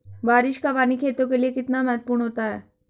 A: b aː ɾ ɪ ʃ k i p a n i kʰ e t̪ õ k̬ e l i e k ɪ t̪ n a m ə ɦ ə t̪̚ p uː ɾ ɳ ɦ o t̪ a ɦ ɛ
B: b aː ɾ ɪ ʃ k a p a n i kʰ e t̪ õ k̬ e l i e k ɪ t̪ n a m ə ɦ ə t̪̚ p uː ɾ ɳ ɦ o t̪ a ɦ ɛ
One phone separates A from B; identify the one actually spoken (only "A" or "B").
B